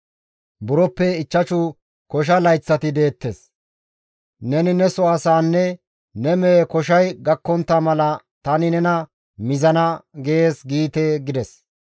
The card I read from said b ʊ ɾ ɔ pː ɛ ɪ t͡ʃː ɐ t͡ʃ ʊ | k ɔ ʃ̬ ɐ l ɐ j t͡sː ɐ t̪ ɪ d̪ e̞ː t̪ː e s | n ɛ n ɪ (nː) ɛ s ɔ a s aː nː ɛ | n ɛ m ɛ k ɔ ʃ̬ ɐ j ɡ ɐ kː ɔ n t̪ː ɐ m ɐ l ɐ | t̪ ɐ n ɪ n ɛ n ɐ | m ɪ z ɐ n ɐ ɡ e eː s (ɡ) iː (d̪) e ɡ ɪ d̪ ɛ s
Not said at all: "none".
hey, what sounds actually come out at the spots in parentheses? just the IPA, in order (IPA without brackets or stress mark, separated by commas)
n, ɡ, t̪